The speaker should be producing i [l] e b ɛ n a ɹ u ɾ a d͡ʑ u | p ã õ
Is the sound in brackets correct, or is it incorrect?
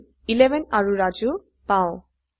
correct